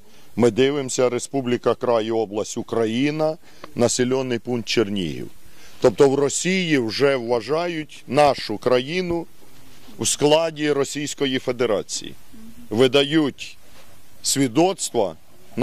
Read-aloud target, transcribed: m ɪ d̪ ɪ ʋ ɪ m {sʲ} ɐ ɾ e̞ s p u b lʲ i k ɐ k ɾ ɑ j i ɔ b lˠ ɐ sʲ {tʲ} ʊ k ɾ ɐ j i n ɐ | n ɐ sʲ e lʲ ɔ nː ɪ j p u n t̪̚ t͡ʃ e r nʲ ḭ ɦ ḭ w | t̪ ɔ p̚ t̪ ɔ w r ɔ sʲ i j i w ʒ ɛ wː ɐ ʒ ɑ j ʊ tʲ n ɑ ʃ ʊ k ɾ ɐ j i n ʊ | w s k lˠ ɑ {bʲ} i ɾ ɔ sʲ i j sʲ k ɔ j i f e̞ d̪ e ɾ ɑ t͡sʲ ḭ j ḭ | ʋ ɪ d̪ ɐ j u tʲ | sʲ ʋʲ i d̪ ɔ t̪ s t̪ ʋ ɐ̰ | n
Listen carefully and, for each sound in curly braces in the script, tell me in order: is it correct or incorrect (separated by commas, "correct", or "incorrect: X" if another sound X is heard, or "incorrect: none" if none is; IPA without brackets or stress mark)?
correct, correct, incorrect: dʲ